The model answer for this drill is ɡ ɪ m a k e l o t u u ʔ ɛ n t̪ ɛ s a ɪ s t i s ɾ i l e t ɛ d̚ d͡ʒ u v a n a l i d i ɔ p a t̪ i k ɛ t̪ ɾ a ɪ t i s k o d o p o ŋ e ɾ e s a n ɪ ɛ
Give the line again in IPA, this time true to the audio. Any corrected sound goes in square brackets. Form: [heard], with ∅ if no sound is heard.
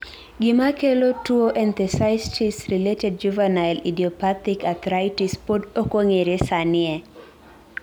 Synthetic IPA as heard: ɡ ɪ m a k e l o t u [o] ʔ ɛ n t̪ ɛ s a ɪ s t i s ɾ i l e t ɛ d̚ d͡ʒ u v a n a l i d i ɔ p a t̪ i k [a] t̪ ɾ a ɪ t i s [p] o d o [k] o ŋ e ɾ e s a n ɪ ɛ

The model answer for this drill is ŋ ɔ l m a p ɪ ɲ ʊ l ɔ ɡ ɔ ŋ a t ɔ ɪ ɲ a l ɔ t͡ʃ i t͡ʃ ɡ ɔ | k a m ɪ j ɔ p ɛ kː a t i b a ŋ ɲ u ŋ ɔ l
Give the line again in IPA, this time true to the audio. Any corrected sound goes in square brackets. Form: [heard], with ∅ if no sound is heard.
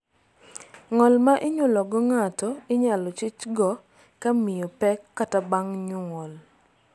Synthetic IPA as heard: ŋ ɔ l m a [ʔ] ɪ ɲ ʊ l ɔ ɡ ɔ ŋ a t ɔ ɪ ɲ a l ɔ t͡ʃ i t͡ʃ ɡ ɔ | k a m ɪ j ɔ p ɛ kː a t [a] b a ŋ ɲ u ŋ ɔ l

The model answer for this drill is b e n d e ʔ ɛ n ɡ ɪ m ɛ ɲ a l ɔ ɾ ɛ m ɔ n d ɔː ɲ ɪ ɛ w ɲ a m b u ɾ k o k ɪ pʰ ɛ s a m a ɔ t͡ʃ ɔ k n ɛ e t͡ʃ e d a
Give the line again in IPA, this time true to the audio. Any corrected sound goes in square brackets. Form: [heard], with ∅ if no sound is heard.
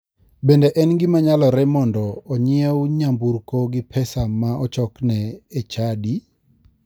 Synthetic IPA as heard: b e n d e ʔ ɛ n ɡ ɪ m [a] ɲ a l ɔ ɾ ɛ m ɔ n d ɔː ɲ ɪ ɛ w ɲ a m b u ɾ k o [ɡ] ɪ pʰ ɛ s a m a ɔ t͡ʃ ɔ k n ɛ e t͡ʃ [a] d [i]

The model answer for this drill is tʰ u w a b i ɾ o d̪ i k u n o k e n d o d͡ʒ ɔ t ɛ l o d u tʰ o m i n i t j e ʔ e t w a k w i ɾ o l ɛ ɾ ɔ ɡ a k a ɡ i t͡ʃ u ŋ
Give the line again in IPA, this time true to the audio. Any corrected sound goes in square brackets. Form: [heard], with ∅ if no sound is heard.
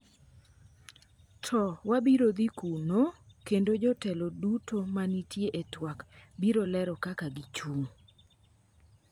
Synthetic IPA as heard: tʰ [ɔ] w a b i ɾ o d̪ i k u n o k e n d o d͡ʒ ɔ t ɛ l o d u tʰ o m [a] n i t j e ʔ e t w a k [b] i ɾ o l ɛ ɾ ɔ [k] a k a ɡ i t͡ʃ u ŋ

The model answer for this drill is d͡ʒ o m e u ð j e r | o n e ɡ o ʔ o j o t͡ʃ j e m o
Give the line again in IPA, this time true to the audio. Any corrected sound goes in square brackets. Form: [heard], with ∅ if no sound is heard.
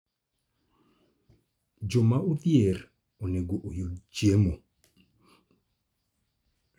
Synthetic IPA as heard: d͡ʒ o m [a] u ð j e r | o n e ɡ o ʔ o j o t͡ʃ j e m o

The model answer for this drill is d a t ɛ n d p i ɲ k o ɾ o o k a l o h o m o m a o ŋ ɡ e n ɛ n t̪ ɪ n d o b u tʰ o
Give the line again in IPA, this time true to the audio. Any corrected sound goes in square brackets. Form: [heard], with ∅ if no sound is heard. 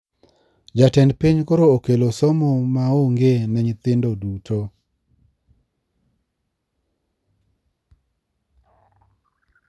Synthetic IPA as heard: [d͡ʒ] a t ɛ n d p i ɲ k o ɾ o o k [e] l o [s] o m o m a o ŋ ɡ e n ɛ [ɲ] t̪ ɪ n d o [d] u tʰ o

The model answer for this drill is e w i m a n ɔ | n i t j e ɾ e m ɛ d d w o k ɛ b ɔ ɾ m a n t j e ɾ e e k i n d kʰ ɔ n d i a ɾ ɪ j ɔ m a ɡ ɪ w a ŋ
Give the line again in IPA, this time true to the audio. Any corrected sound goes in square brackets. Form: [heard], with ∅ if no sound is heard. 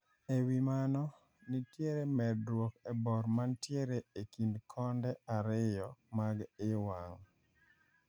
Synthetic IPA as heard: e w i m a n ɔ | n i t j e ɾ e m ɛ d d w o k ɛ b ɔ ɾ m a n t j e ɾ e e k i n d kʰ ɔ n d [ɛ] a ɾ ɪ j ɔ m a ɡ ɪ w a ŋ

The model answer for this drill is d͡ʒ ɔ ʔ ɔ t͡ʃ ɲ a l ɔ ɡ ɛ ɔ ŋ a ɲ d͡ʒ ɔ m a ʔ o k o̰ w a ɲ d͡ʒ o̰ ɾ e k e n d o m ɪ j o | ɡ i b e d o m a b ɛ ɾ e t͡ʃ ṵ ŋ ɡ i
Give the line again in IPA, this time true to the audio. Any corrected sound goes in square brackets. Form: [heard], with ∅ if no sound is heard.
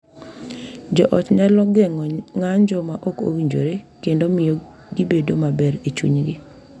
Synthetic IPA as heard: d͡ʒ ɔ ʔ ɔ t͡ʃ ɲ a l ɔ ɡ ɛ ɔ ŋ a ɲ d͡ʒ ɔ m a ʔ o k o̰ w [i] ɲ d͡ʒ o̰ ɾ e k e n d o m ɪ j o | ɡ i b e d o m a b ɛ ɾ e t͡ʃ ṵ [ɲ] ɡ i

